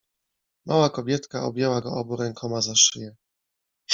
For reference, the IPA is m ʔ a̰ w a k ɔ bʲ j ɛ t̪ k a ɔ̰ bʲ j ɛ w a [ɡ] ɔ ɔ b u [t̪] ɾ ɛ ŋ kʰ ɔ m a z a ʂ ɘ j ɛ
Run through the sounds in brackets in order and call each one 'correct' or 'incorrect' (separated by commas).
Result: correct, incorrect